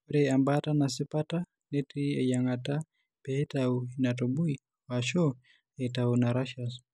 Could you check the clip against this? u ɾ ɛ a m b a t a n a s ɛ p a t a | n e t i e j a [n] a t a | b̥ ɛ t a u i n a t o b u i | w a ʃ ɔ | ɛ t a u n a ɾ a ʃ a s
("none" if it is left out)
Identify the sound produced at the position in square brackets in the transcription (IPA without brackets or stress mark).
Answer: ŋ